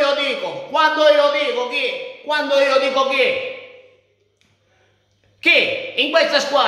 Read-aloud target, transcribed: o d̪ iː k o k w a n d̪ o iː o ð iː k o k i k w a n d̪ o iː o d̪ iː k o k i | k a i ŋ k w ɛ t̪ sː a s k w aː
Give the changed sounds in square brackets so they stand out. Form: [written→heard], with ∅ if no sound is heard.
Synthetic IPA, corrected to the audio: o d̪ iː k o k w a n d̪ o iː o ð iː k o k i k w a n d̪ o iː o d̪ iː k o k i | k [a→i] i ŋ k w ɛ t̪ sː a s k w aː